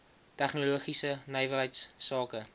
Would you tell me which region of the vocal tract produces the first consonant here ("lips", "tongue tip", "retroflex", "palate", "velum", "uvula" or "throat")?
tongue tip